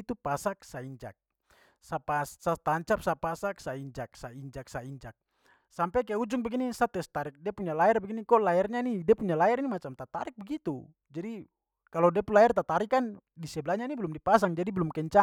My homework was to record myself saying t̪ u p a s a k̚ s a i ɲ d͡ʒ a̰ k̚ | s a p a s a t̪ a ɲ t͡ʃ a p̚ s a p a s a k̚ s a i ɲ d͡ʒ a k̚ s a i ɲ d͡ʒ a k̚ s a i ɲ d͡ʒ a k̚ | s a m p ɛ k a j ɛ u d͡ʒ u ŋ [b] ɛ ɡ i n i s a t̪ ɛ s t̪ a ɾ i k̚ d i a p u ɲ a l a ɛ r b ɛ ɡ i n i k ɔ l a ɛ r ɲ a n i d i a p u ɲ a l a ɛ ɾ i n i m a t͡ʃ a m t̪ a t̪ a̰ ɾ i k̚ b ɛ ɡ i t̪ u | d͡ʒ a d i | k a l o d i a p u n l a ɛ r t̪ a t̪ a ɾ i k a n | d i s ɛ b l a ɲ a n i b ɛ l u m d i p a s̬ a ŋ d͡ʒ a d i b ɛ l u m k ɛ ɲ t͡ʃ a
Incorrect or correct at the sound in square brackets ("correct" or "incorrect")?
correct